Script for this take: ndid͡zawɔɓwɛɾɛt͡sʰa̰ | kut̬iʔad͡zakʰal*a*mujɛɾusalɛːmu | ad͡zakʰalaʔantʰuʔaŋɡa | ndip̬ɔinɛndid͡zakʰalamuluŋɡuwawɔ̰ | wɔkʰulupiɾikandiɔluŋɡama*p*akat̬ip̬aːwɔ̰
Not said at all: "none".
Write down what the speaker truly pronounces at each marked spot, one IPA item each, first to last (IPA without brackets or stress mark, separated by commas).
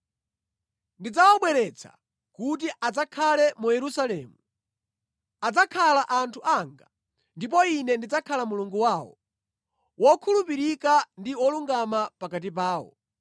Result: ɛ, p